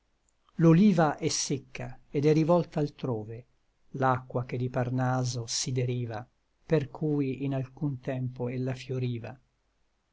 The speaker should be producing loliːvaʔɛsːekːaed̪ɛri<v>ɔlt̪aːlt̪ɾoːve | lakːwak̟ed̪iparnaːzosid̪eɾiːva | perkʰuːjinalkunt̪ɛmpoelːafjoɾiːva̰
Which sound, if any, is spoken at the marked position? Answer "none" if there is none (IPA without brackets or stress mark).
v